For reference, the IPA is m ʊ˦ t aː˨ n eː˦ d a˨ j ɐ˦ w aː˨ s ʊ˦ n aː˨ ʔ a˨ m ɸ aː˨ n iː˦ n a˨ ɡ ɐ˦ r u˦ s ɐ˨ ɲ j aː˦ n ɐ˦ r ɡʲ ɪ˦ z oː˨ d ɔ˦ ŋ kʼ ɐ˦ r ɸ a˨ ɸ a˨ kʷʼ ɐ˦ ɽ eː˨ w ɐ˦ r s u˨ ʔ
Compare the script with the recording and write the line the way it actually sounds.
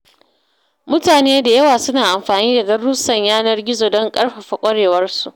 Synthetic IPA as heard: m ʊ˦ t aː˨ n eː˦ d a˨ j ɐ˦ w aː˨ s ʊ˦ n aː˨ ʔ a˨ m ɸ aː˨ n iː˦ d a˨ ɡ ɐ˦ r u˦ s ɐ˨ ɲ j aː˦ n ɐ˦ r ɡʲ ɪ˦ z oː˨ d ɔ˦ ŋ kʼ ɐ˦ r ɸ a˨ ɸ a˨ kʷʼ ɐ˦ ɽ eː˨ w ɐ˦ r s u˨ ʔ